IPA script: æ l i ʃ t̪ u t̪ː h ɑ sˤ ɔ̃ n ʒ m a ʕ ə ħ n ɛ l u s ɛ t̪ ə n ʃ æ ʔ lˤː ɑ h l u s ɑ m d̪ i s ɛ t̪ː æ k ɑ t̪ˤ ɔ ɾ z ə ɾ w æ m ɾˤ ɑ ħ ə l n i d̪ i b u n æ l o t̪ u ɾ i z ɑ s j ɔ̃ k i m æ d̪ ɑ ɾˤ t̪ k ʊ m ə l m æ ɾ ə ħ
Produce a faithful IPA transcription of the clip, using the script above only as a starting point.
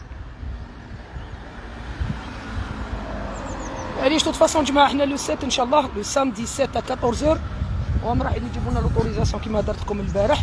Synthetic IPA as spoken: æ l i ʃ t̪ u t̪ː f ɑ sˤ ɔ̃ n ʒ m a ʕ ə ħ n æ l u s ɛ t̪ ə n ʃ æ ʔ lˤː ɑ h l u s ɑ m d̪ i s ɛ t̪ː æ k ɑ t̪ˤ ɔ ɾ z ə ɾ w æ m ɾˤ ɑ ħ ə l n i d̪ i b u n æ l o t̪ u ɾ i z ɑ s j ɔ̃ k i m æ d̪ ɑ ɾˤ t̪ k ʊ m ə l b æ ɾ ə ħ